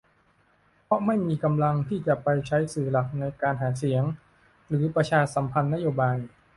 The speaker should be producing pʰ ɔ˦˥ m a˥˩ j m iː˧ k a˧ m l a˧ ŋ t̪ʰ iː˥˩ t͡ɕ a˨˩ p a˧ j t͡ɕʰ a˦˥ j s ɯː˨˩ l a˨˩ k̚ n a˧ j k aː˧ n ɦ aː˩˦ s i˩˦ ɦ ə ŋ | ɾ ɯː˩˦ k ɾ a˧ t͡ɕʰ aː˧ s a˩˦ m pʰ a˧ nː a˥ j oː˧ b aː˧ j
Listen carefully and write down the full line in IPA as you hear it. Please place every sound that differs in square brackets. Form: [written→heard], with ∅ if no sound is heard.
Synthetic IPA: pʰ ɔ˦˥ m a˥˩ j m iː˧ k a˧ m l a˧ ŋ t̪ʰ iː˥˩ t͡ɕ a˨˩ p a˧ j t͡ɕʰ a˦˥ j s ɯː˨˩ l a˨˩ k̚ n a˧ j k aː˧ n ɦ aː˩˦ s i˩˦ [ɦ→∅] ə ŋ | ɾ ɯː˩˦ [k→p] ɾ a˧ t͡ɕʰ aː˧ s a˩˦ m pʰ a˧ nː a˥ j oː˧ b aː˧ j

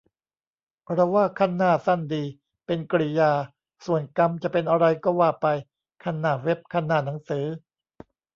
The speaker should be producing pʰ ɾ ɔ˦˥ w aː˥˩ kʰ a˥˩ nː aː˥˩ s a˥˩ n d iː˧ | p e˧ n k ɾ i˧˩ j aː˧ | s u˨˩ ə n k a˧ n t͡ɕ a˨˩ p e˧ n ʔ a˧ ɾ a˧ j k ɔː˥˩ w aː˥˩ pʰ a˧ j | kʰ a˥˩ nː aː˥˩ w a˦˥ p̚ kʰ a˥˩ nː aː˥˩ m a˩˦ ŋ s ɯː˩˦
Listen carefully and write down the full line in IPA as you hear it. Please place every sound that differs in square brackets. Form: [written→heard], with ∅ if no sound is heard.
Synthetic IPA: pʰ ɾ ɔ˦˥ w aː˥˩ kʰ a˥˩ nː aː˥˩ s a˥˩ n d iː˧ | p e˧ n k ɾ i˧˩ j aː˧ | s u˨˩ ə n k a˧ [n→m] t͡ɕ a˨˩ p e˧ n ʔ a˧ ɾ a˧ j k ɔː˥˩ w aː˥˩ [pʰ→p] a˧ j | kʰ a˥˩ nː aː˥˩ w [a˦˥→e˦˥] p̚ kʰ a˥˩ nː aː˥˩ [m→n] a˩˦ ŋ s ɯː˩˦

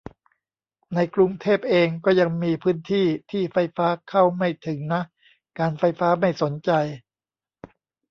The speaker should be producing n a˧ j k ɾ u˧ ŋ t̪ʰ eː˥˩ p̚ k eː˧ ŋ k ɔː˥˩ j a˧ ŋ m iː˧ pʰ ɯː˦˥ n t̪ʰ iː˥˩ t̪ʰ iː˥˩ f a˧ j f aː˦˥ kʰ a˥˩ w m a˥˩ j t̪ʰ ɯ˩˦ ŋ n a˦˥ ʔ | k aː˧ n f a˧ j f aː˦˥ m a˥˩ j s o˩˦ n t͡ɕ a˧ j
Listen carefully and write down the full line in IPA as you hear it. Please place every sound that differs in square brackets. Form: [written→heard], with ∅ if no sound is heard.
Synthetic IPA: n a˧ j k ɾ u˧ ŋ t̪ʰ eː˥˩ p̚ [k→ʔ] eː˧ ŋ k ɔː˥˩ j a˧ ŋ m iː˧ pʰ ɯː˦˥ n t̪ʰ iː˥˩ t̪ʰ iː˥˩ f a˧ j f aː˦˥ kʰ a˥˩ w m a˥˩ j t̪ʰ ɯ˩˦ ŋ n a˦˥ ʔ | k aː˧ n f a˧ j f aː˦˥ m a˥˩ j s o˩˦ n t͡ɕ a˧ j

